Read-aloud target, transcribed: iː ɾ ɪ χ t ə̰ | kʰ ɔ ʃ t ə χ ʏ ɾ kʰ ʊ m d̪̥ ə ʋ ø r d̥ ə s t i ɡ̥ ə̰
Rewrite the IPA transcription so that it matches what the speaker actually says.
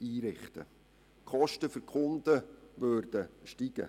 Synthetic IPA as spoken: iː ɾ ɪ χ t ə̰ | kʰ ɔ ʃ t ə f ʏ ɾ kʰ ʊ n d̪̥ ə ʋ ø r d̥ ə ʃ t i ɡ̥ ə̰